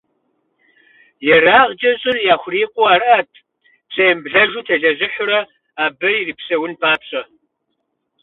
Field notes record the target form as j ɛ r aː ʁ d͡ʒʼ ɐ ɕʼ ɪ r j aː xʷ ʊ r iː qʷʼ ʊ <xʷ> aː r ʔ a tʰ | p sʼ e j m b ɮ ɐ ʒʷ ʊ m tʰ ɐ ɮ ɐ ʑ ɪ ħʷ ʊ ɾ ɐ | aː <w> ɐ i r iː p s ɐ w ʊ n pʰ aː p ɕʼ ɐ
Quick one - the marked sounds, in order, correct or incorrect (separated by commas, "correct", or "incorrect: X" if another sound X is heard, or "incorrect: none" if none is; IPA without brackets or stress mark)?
incorrect: none, incorrect: b